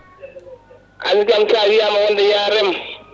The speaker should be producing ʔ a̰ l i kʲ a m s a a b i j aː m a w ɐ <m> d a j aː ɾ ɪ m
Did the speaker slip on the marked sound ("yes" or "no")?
yes